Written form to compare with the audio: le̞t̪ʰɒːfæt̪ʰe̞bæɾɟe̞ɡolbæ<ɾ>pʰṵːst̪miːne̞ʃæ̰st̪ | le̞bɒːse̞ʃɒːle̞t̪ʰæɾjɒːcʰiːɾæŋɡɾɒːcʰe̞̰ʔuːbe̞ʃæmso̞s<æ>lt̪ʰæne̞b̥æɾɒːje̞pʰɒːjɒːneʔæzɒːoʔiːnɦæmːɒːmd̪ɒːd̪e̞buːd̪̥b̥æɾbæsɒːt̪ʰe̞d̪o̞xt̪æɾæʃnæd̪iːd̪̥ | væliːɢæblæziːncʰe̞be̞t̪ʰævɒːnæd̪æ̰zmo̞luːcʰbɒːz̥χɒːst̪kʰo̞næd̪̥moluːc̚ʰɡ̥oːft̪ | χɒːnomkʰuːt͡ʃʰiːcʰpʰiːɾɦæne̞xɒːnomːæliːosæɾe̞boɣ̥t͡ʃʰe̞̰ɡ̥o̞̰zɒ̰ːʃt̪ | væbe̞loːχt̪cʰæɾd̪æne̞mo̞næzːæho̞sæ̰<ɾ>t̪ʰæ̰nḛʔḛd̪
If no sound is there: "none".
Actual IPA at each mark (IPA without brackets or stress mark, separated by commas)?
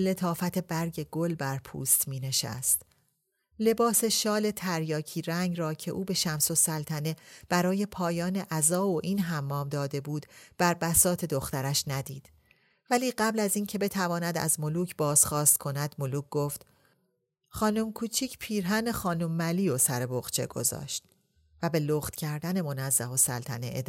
ɾ, æ, l